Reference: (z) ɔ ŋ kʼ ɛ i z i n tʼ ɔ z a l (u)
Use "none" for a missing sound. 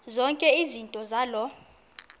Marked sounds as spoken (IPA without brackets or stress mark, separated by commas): z, ɔ